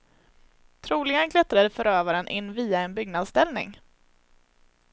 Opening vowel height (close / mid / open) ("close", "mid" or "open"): close